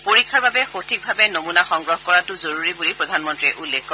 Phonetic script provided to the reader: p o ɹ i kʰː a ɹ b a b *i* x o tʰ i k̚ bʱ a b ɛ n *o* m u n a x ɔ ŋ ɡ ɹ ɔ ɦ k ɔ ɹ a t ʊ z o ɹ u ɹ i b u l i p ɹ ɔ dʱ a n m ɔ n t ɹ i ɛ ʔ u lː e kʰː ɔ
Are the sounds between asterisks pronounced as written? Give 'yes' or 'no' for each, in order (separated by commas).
no, yes